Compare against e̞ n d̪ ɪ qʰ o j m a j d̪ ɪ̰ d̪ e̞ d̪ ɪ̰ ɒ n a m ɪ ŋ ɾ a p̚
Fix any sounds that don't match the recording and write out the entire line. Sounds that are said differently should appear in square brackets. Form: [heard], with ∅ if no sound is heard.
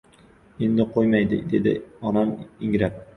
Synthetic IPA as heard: e̞ n d̪ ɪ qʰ o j m a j d̪ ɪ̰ d̪ e̞ d̪ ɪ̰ ɒ n a m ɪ ŋ ɾ a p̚